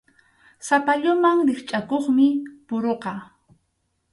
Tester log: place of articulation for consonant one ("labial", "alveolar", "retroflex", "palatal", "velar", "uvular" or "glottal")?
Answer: alveolar